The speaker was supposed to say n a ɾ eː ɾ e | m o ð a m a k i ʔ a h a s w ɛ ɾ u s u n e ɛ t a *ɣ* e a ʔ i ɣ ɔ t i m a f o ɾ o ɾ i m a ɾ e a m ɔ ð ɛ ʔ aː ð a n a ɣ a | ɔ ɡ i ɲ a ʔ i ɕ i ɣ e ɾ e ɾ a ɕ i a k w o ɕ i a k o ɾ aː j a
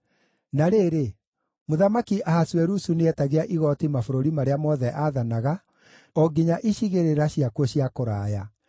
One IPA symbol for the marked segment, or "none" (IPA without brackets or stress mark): ɣ